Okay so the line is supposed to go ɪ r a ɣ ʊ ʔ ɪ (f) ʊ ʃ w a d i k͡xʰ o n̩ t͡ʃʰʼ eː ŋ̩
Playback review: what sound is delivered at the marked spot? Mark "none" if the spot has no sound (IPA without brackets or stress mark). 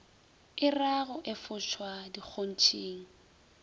f